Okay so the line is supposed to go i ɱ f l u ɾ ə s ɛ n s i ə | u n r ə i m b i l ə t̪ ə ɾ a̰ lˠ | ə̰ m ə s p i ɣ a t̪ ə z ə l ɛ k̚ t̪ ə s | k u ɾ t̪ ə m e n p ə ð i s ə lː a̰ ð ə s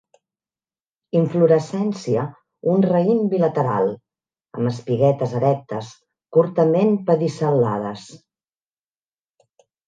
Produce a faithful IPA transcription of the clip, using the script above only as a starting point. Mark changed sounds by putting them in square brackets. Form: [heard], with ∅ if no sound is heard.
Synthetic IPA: i ɱ f l u ɾ ə s ɛ n s i ə | u n r ə i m b i l ə t̪ ə ɾ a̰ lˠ | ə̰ m ə s p i ɣ [ɛ] t̪ ə z ə [ɾ] ɛ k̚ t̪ ə s | k u ɾ t̪ ə m e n p ə ð i s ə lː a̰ ð ə s